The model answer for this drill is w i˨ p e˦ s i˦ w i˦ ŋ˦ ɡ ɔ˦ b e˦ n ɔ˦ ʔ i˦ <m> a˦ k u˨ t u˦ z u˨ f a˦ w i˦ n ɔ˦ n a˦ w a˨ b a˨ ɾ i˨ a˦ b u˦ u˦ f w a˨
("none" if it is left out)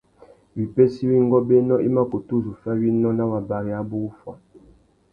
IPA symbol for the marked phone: m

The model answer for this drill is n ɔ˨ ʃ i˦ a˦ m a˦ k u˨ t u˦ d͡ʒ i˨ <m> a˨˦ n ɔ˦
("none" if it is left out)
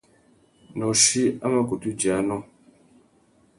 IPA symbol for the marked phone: none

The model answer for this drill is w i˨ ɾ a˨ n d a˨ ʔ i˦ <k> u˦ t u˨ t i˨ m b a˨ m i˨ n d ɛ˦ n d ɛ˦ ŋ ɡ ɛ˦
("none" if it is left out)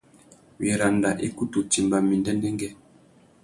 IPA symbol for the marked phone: k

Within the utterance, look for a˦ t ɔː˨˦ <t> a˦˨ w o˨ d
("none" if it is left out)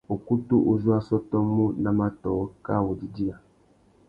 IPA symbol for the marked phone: k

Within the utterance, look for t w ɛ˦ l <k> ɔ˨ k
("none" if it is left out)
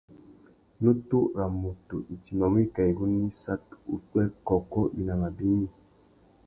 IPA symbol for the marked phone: k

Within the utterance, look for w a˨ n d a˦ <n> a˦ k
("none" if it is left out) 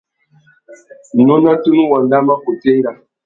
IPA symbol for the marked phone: m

